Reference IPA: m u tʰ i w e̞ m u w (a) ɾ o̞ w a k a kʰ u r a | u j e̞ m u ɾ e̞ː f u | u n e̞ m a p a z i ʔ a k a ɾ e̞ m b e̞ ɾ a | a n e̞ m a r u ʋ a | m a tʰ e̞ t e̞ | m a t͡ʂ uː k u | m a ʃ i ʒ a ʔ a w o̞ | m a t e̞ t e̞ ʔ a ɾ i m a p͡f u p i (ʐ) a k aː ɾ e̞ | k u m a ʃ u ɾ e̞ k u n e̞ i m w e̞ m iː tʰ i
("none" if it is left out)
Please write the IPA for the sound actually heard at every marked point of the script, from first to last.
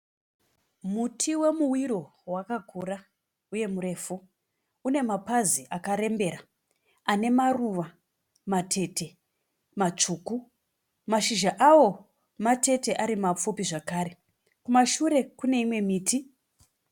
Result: i, ʐ

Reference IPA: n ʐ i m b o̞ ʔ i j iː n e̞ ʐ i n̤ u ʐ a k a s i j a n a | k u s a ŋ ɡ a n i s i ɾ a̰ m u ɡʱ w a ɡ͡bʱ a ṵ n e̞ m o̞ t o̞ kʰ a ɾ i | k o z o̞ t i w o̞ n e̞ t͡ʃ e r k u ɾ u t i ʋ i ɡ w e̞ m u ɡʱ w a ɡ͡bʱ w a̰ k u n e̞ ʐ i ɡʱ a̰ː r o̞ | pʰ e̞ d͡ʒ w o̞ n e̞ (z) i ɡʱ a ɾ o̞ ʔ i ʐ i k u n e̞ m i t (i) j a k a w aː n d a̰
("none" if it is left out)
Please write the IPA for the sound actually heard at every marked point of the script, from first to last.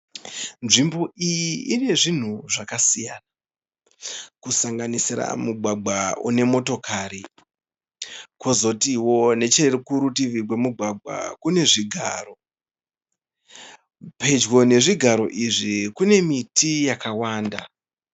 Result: ʐ, i

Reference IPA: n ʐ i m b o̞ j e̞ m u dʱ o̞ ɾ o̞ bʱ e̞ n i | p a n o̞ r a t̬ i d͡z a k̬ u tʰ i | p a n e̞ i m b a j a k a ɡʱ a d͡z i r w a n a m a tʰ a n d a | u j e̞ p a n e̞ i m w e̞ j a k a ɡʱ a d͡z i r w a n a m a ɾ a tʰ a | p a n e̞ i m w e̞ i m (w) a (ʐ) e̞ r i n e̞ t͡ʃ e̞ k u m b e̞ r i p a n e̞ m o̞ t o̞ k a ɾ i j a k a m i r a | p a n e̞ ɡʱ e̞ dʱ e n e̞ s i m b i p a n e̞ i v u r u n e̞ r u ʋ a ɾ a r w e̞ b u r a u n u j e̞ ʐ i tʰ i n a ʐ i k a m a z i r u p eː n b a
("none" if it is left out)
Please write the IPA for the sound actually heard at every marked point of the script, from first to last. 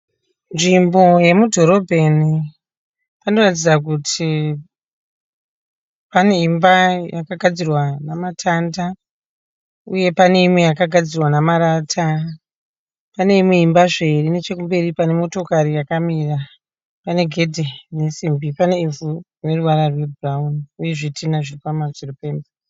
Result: b, ʐ

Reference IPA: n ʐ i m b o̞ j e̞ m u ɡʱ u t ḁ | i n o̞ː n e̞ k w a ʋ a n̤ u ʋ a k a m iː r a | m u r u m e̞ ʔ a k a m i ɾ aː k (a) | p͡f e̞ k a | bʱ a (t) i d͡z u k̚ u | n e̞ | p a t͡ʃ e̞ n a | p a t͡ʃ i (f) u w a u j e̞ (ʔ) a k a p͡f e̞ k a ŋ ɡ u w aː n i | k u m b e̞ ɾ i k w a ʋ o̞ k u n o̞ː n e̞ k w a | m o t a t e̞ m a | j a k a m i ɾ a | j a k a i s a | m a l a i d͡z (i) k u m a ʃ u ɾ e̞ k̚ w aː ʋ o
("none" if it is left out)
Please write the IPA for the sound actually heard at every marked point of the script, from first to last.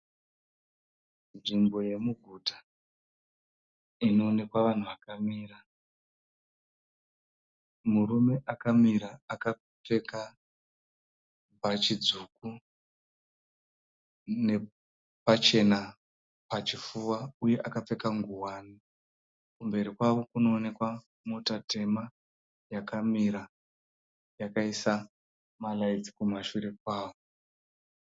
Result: a, t͡ʃ, f, ʔ, i

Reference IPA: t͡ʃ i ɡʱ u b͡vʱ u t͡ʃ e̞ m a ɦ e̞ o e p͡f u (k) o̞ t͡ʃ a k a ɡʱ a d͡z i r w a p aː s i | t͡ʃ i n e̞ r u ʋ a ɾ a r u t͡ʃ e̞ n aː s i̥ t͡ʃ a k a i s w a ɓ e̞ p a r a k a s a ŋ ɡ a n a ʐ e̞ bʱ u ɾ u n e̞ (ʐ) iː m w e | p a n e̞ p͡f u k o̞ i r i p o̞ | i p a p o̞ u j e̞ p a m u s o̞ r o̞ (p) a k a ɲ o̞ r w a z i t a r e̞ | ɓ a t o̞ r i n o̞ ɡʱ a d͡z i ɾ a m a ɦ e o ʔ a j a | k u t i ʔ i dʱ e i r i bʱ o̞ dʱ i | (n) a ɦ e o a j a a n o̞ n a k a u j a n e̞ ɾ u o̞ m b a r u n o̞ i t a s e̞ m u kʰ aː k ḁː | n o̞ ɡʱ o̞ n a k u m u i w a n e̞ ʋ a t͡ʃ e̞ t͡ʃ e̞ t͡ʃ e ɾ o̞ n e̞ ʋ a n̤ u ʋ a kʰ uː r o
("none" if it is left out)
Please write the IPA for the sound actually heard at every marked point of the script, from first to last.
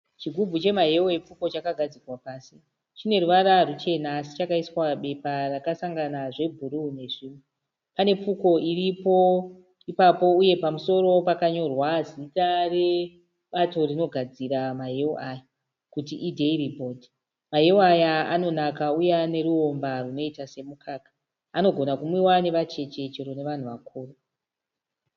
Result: k, ʐ, p, m

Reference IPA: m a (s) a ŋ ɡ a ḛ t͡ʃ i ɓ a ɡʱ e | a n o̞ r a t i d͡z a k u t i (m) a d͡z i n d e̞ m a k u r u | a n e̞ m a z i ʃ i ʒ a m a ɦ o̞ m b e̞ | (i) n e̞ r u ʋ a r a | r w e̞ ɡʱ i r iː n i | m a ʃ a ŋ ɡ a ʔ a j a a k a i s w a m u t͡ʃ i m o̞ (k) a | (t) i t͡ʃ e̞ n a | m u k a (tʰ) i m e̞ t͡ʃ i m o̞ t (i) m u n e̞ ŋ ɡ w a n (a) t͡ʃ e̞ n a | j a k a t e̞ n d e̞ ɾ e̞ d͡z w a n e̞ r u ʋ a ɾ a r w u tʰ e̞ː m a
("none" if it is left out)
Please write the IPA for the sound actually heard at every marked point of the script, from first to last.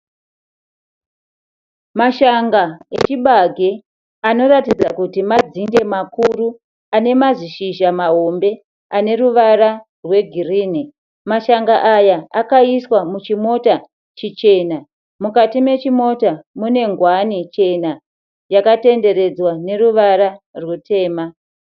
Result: ʃ, m, a, t, t͡ʃ, t, a, i

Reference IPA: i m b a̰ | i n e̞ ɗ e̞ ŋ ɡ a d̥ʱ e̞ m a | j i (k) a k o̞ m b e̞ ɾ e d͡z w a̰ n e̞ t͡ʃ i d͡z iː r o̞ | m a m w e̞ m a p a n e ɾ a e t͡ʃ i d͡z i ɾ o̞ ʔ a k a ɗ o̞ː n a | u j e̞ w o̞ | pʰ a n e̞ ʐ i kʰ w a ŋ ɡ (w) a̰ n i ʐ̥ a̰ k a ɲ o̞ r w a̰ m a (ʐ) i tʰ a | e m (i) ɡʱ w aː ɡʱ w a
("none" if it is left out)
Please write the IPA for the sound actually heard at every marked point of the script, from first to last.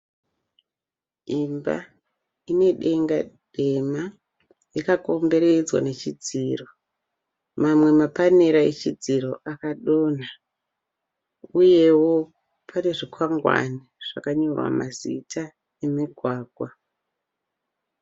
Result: k, w, z, i

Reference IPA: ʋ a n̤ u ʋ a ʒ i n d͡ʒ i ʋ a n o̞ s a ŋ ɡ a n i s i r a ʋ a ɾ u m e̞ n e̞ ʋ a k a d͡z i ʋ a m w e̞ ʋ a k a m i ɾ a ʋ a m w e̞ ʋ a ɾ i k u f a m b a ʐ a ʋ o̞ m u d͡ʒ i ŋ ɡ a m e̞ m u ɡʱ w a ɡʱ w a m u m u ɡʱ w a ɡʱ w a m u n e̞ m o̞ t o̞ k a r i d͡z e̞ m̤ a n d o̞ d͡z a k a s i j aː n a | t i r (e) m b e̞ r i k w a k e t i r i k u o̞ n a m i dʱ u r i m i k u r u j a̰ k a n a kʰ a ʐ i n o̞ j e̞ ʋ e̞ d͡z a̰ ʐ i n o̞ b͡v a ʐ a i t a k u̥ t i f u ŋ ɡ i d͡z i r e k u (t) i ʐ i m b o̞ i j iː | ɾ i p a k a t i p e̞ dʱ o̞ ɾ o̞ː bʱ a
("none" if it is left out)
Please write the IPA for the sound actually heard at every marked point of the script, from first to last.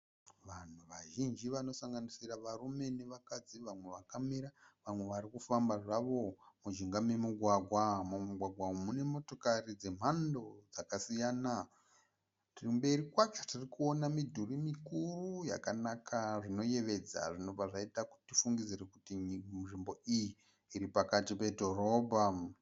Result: i, t

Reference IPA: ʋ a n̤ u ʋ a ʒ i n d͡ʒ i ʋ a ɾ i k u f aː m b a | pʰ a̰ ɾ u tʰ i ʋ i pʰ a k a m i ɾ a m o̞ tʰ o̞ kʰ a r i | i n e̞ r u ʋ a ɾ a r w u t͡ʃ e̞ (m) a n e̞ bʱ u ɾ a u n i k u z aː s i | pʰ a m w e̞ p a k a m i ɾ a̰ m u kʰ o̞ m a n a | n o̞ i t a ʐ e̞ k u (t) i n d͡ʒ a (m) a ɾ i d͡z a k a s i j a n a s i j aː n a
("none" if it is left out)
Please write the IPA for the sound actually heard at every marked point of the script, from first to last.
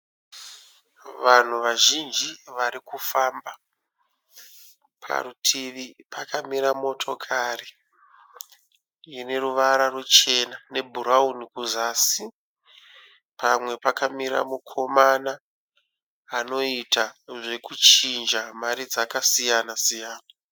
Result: n, t͡ʃ, m

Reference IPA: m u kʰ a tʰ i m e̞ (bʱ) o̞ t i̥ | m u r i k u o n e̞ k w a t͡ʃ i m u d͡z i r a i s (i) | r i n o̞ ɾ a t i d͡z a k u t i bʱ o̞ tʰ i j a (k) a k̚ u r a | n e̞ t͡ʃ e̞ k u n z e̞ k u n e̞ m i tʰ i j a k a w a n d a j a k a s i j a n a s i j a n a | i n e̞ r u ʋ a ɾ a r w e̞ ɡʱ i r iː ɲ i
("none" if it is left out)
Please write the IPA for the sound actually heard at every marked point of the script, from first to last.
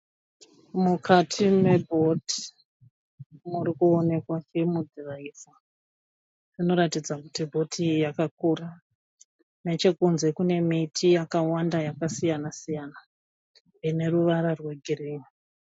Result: bʱ, a, k

